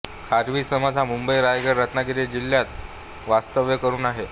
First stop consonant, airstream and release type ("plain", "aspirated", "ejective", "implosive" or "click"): aspirated